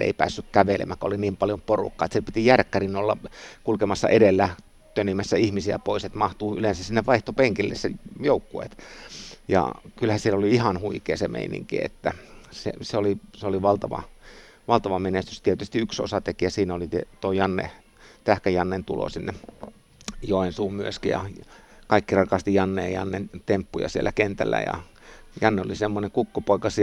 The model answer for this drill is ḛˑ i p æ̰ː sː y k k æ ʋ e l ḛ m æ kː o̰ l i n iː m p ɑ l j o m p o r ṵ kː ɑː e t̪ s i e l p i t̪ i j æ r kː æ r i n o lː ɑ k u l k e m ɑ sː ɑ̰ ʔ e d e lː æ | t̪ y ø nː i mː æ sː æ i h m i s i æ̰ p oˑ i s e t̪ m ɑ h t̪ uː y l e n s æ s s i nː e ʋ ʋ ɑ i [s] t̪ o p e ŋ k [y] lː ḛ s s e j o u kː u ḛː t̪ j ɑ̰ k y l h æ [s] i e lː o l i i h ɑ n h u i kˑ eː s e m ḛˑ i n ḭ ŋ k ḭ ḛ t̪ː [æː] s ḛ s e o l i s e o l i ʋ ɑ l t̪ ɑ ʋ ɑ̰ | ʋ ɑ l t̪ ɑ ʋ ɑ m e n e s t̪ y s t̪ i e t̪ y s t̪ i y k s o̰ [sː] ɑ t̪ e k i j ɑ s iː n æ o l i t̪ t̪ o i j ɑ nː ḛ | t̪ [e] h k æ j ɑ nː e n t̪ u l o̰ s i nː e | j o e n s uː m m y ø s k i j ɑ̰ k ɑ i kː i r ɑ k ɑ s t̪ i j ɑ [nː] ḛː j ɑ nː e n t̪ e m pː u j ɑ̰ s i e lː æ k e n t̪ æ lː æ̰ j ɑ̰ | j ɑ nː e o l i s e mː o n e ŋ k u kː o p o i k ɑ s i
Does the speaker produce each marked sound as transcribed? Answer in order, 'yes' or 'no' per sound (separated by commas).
no, no, yes, no, no, no, yes